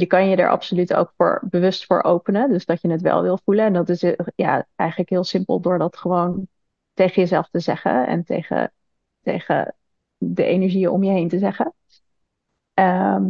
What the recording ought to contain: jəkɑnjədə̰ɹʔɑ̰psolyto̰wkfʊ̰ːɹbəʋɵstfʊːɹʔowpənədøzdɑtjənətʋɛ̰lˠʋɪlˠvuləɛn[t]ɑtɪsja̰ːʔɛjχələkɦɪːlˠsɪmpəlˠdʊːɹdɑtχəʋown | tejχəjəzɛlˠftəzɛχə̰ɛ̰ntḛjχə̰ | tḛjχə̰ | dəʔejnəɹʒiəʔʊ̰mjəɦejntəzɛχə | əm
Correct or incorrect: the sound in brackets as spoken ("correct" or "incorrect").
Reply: incorrect